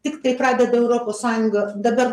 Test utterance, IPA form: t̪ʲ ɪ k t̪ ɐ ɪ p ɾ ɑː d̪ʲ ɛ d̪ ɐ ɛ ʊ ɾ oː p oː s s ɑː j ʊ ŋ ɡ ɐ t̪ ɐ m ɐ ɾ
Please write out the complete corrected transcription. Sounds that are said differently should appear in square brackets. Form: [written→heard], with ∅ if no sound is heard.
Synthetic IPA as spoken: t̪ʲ ɪ k t̪ ɐ ɪ p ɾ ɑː d̪ʲ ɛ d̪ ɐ ɛ ʊ ɾ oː p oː s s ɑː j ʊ ŋ ɡ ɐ [t̪→d̪] ɐ [m→b] ɐ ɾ